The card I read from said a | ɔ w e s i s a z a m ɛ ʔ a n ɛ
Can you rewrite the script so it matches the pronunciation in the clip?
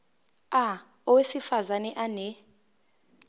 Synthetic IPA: a | ɔ w e s i f a z a n ɛ ʔ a n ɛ

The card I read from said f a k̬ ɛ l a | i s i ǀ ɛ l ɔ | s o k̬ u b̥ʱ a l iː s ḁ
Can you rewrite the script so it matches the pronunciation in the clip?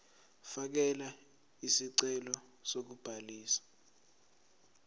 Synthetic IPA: f a k̬ ɛ l a | i s i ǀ ɛ l ɔ | s o k̬ u b̥ʱ a l iː s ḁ

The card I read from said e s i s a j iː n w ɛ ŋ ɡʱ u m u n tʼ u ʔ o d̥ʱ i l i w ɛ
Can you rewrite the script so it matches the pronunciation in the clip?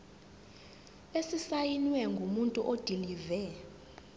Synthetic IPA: e s i s a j i n w ɛ ŋ ɡʱ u m u n tʼ u ʔ o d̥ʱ i l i v ɛ

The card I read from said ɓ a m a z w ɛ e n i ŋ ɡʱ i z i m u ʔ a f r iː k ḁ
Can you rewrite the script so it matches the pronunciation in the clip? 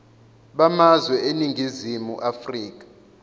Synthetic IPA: ɓ a m a z w ɛ e n i ŋ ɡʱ i z i m u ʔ a f r iː k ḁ

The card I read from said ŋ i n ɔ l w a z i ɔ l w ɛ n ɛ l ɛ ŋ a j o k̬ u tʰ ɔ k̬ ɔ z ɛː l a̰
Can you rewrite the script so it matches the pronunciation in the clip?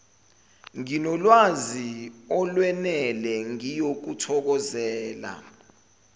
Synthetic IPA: ŋ i n ɔ l w a z i ɔ l w ɛ n ɛ l ɛ ŋ i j o k̬ u tʰ ɔ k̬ ɔ z ɛː l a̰

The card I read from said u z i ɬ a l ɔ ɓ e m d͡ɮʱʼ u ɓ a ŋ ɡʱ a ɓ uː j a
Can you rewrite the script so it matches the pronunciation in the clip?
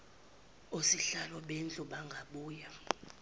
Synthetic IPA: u s i ɬ a l ɔ ɓ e n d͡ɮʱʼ u ɓ a ŋ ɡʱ a ɓ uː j a

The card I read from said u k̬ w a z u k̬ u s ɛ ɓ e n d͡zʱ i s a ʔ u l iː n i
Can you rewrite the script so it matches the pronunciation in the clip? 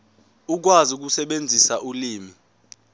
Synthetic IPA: u k̬ w a z u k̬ u s ɛ ɓ e n d͡zʱ i s a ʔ u l iː m i

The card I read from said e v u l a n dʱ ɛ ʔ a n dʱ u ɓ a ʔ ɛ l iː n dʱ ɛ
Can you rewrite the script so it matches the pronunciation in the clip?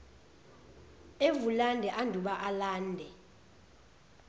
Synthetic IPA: e v u l a n dʱ ɛ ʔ a n dʱ u ɓ a ʔ a l aː n dʱ ɛ

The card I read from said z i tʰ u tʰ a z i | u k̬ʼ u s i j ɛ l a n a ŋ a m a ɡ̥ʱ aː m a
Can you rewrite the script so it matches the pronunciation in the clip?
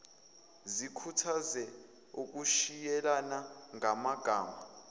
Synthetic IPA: z i kʰ u tʰ a z ɛ | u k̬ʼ u ʃ i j ɛ l a n a ŋ a m a ɡ̥ʱ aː m a

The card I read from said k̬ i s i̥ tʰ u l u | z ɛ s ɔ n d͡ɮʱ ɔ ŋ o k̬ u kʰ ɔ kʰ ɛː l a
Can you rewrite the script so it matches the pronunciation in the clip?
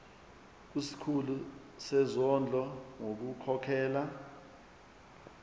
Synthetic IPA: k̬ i s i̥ kʰ u l u | s ɛ z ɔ n d͡ɮʱ ɔ ŋ o k̬ u kʰ ɔ kʰ ɛː l a

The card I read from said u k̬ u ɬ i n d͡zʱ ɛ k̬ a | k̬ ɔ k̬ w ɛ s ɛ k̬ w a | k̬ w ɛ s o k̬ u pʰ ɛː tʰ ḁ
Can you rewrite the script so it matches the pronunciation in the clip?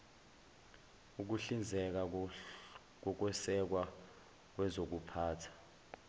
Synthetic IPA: u k̬ u ɬ i n d͡zʱ ɛ k̬ a | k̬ ɔ k̬ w ɛ s ɛ k̬ w a | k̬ w ɛ z o k̬ u pʰ aː tʰ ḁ

